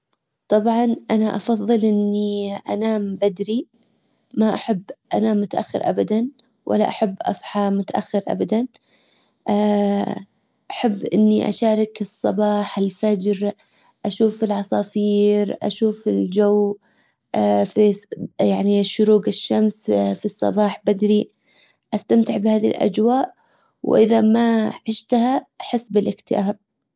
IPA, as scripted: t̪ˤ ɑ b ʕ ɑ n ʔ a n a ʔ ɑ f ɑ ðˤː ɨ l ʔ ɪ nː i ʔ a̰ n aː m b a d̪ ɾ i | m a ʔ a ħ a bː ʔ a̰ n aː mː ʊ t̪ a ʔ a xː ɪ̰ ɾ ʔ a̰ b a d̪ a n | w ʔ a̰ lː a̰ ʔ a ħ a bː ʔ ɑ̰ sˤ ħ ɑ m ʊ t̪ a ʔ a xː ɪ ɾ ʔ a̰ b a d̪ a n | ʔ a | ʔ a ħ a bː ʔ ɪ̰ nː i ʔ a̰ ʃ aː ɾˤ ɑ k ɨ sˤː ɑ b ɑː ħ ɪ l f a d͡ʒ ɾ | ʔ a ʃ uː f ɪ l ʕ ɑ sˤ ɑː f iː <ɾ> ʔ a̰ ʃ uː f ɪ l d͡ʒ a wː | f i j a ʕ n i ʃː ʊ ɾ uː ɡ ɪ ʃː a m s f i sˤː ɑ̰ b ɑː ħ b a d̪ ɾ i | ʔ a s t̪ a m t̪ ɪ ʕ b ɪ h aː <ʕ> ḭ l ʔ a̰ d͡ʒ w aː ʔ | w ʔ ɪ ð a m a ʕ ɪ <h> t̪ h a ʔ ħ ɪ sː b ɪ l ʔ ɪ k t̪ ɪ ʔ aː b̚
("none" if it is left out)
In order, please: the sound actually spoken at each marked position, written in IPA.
ɾ, ð, ʃ

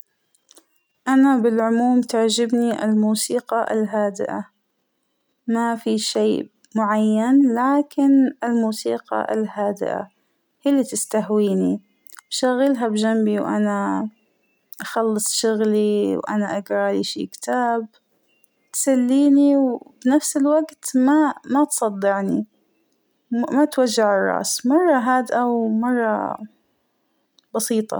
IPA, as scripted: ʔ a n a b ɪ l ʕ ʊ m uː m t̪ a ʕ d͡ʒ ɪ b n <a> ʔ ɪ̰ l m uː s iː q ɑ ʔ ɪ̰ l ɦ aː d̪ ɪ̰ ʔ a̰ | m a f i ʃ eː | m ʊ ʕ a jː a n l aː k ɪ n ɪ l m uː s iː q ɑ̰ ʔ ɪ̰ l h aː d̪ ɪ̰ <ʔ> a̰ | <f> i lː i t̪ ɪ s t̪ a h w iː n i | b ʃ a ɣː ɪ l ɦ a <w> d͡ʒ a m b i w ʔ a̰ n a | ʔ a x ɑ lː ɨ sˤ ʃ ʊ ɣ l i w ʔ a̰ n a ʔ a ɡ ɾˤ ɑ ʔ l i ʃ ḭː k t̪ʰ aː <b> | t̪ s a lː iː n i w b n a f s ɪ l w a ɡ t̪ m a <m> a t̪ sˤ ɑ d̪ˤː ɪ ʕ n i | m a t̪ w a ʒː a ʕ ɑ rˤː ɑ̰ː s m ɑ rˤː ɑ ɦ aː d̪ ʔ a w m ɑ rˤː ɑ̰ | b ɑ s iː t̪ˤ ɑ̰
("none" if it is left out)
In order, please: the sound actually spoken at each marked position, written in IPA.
i, ʔ, h, b, b, m

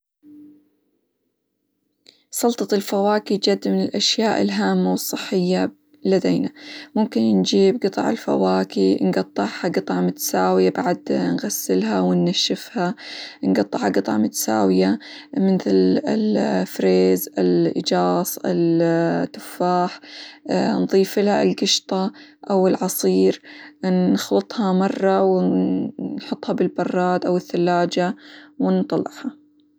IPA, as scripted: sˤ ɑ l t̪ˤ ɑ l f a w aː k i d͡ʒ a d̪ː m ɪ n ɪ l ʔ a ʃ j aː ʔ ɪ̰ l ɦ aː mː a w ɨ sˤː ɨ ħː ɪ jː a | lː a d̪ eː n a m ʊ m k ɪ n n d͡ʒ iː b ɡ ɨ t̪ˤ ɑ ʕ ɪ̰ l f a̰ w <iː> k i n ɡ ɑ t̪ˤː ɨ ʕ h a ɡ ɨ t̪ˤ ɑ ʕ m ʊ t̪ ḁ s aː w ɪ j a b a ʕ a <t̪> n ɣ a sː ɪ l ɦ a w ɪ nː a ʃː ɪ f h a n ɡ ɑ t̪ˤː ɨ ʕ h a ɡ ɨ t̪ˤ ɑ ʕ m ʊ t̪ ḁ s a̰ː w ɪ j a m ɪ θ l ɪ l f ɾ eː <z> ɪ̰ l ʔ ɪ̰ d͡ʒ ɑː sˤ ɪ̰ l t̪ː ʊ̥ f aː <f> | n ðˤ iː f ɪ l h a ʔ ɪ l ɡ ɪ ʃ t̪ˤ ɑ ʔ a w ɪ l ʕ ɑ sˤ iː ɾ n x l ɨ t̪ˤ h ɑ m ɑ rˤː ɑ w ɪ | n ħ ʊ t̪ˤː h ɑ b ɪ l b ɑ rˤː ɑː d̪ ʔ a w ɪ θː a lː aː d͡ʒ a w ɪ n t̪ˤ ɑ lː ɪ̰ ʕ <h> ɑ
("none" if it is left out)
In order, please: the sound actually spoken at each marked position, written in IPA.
aː, d̪, z, ħ, h

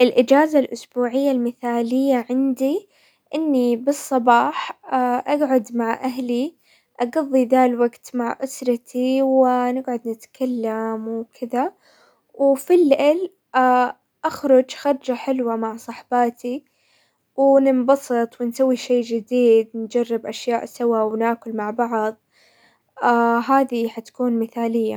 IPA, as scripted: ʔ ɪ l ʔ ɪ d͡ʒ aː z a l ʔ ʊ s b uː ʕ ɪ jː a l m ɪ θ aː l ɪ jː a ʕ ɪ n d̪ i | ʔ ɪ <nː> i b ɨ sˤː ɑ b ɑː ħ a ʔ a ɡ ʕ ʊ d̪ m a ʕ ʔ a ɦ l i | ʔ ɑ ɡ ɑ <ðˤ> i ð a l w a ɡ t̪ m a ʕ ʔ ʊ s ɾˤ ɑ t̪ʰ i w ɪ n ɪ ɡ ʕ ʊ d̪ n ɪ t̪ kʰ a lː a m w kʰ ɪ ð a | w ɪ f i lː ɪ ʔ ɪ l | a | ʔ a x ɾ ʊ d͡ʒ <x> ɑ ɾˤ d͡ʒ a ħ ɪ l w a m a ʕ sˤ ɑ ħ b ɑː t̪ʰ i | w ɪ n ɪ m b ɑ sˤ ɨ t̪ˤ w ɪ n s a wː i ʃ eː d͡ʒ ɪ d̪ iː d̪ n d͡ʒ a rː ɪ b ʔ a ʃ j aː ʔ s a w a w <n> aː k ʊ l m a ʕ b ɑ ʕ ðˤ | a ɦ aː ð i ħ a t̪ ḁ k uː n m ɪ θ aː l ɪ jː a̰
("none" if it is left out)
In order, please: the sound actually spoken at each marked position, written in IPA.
nː, ðˤː, x, n

